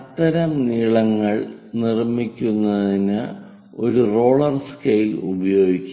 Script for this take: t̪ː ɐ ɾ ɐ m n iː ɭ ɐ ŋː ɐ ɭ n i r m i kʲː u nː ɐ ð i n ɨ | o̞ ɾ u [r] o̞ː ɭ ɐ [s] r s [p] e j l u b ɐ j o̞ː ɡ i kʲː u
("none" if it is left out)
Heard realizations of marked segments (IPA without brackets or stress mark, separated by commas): r, none, k